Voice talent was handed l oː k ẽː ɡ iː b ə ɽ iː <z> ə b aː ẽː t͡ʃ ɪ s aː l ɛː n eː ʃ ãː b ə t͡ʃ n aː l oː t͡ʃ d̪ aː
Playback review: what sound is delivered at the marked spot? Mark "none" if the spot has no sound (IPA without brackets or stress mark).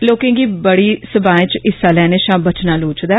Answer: s